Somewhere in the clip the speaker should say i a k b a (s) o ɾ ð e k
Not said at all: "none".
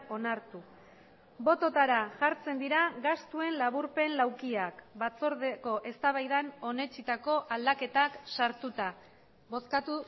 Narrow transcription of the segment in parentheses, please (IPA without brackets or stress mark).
t͡s